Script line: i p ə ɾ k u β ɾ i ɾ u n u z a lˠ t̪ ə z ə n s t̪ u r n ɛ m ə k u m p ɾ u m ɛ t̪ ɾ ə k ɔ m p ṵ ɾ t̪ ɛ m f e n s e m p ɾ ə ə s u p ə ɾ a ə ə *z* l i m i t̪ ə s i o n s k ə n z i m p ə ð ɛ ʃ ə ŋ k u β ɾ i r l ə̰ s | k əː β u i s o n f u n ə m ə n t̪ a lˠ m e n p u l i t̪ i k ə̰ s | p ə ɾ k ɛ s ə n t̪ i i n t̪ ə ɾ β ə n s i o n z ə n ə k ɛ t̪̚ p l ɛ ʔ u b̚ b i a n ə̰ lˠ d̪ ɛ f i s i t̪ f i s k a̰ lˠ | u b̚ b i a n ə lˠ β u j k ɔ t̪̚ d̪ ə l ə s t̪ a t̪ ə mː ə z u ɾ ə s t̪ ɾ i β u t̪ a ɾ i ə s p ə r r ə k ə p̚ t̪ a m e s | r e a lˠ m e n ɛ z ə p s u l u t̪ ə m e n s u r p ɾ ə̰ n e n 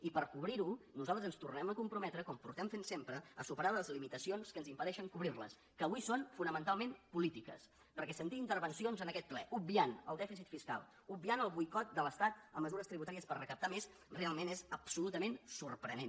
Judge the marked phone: correct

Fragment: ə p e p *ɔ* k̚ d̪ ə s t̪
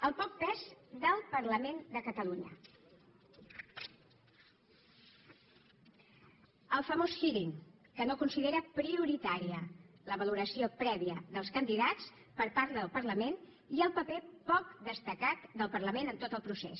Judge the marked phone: correct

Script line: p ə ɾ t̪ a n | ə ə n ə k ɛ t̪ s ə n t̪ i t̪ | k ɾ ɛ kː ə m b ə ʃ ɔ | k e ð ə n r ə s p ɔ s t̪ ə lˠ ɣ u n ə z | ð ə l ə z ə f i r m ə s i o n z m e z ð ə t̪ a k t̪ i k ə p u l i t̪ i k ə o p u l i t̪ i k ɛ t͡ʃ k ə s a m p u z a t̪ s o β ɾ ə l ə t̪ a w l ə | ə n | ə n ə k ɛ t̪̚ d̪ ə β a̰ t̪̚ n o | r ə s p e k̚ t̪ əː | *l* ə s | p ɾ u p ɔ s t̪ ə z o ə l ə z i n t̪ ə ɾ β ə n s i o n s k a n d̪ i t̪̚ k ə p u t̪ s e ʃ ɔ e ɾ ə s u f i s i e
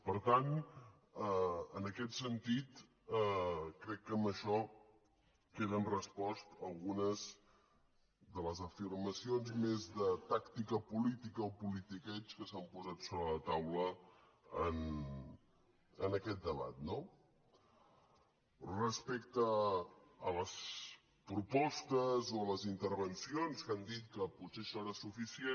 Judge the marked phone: correct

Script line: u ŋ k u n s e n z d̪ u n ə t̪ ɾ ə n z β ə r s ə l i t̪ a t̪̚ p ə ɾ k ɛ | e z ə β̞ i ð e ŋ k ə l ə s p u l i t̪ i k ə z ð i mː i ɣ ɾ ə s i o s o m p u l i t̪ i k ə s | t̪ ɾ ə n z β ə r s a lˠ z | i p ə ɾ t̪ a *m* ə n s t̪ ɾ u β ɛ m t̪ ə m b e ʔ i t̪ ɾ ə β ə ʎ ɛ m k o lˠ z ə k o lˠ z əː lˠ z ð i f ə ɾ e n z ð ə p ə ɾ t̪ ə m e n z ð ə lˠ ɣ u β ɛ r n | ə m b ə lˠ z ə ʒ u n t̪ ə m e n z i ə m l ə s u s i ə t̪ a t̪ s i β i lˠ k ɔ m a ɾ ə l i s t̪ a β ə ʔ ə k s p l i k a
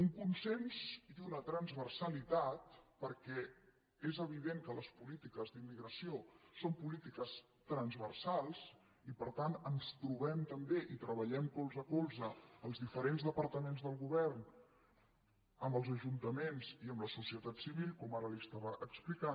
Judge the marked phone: incorrect: n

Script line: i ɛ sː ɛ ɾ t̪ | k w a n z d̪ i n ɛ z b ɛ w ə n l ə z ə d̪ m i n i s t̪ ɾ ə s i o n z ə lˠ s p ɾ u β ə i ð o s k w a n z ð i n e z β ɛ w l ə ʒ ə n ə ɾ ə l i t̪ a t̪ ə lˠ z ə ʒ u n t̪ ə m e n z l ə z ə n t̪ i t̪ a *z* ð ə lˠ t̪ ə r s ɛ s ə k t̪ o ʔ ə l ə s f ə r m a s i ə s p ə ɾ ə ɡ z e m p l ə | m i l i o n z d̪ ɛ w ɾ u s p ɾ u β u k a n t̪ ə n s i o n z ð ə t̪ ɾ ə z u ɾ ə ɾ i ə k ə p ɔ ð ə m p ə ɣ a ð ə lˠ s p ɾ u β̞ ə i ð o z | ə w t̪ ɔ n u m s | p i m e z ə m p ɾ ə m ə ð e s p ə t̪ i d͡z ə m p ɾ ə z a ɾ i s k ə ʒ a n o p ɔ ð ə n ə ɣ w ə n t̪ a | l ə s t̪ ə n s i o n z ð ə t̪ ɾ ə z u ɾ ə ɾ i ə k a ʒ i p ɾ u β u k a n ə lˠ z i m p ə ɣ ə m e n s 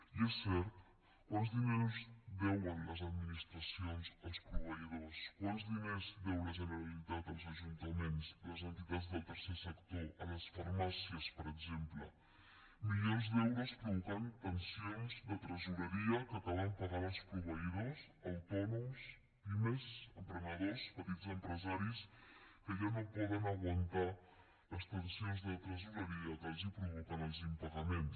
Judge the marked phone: incorrect: d͡z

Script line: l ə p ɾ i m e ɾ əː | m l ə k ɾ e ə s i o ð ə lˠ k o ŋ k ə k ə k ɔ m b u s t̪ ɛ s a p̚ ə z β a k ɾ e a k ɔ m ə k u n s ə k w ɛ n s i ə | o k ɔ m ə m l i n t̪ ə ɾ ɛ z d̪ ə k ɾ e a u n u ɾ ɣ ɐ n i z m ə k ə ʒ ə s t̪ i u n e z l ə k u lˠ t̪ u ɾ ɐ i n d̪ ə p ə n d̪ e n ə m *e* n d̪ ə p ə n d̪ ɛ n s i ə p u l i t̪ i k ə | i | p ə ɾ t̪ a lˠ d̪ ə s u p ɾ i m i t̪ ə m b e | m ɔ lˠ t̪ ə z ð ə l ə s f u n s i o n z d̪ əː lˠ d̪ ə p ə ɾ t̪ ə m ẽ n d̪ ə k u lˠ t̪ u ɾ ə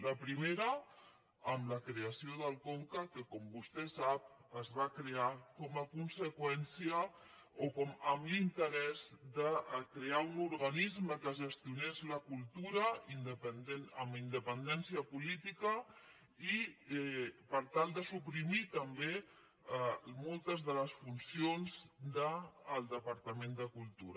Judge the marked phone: incorrect: i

